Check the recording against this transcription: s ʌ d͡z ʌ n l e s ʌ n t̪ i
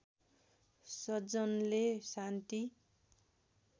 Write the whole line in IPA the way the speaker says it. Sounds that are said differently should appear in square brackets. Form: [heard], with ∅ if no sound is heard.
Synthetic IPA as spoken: s ʌ d͡z ʌ n l e s [a] n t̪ i